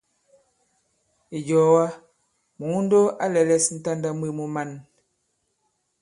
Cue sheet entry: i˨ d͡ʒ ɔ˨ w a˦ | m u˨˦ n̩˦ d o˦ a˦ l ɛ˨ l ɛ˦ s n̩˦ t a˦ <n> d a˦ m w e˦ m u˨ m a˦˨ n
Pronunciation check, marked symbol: correct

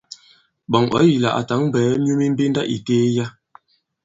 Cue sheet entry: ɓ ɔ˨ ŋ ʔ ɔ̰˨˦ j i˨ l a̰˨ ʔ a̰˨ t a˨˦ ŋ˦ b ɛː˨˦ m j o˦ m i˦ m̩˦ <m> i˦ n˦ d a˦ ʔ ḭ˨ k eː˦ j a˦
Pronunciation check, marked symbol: incorrect: b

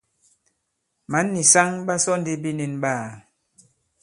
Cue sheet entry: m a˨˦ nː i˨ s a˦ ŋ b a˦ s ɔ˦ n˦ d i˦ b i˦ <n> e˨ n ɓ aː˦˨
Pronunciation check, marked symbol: correct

